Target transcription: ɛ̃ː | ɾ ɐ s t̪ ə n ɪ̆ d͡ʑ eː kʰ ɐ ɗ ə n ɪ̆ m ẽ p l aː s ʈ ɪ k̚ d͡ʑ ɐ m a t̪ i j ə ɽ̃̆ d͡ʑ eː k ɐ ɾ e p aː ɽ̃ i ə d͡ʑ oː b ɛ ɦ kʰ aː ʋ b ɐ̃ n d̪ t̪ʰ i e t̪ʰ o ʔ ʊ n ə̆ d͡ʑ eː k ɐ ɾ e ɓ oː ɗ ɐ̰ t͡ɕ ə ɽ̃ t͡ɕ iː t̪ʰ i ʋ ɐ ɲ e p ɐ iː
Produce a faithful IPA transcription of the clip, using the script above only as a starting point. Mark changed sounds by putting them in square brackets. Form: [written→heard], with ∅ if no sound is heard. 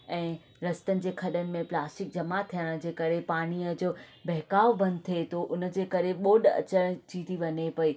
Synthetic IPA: ɛ̃ː | ɾ ɐ s t̪ ə n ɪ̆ d͡ʑ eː kʰ ɐ ɗ ə n ɪ̆ m ẽ p l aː s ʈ ɪ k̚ d͡ʑ ɐ m a [t̪→t̪ʰ] i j ə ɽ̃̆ d͡ʑ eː k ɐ ɾ e p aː ɽ̃ i ə d͡ʑ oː b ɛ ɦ [kʰ→k] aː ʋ b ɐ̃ n d̪ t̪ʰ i e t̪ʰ o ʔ ʊ n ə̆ d͡ʑ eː k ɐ ɾ e ɓ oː ɗ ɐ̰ t͡ɕ ə ɽ̃ t͡ɕ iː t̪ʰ i ʋ ɐ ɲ e p ɐ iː